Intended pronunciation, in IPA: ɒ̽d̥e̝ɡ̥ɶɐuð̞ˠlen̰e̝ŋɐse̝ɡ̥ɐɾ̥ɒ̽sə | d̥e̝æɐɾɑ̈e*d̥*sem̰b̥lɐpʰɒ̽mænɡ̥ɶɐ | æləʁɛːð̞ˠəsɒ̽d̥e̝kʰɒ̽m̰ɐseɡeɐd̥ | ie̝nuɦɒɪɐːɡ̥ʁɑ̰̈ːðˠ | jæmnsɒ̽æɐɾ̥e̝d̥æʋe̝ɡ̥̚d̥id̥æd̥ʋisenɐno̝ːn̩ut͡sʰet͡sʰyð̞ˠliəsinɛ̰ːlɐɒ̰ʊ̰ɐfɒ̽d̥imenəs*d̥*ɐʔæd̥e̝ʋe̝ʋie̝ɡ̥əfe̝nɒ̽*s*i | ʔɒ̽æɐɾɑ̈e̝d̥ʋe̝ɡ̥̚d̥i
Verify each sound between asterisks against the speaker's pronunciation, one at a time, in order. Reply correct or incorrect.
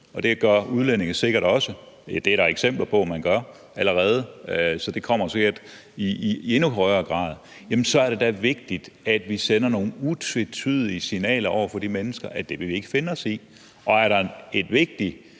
incorrect: ɡ̥, incorrect: ɡ̥, correct

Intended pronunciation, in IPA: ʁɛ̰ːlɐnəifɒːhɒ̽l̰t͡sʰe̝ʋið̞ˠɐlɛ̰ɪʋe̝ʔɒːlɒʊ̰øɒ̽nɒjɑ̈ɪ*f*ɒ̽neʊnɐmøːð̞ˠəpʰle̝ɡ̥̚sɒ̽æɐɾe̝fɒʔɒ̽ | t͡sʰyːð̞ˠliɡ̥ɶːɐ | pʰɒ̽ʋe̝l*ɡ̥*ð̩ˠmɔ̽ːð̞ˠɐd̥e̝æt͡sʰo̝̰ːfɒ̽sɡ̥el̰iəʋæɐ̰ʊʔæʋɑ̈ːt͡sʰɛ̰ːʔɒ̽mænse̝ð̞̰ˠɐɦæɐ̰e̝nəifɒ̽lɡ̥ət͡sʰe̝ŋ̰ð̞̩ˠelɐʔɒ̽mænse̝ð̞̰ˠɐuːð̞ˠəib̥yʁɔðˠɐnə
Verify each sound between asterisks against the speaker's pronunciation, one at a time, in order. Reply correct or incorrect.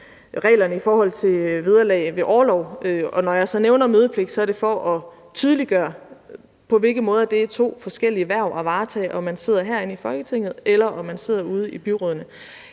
incorrect: s, correct

